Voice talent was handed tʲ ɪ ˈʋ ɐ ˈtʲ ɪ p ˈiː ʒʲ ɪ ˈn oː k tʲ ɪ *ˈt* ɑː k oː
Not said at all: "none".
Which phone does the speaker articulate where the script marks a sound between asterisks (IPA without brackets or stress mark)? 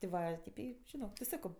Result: s